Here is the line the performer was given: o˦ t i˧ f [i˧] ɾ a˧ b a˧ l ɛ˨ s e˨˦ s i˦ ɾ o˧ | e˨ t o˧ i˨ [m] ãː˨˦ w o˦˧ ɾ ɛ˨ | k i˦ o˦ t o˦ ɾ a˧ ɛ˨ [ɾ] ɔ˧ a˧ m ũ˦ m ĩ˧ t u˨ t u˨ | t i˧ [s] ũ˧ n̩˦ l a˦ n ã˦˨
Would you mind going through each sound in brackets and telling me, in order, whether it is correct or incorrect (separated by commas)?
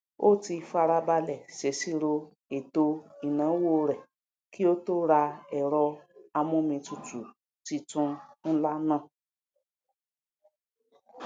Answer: incorrect, incorrect, correct, incorrect